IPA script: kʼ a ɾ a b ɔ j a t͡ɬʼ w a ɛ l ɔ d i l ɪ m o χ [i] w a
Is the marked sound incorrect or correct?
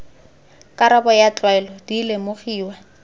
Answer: incorrect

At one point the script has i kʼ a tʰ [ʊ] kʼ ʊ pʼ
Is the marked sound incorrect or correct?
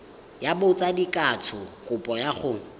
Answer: correct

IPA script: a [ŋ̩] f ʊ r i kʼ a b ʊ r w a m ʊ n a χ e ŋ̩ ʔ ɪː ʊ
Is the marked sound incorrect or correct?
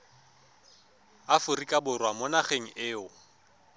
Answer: incorrect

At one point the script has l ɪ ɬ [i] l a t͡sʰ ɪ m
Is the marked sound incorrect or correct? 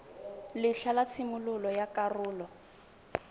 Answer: incorrect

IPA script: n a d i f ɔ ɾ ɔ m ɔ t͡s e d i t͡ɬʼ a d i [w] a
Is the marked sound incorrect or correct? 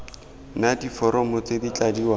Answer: correct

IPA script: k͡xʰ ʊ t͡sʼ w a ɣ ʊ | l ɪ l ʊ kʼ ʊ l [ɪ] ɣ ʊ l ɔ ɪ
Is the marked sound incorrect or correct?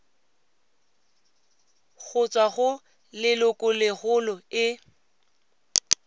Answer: correct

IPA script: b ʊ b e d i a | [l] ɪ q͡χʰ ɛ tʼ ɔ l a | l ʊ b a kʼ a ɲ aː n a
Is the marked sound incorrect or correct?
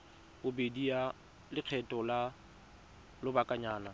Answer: correct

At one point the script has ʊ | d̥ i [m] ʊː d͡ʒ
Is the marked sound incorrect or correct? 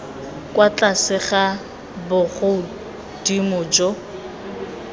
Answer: correct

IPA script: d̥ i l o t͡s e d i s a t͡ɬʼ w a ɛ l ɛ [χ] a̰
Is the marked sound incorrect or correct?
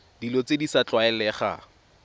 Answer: correct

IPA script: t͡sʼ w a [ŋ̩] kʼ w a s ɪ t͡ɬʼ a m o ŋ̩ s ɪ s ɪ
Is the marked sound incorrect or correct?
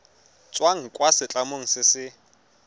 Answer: correct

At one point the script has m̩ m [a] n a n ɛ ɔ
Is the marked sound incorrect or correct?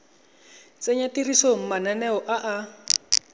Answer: correct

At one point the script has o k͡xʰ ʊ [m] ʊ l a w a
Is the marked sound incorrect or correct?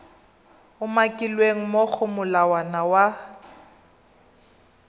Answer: correct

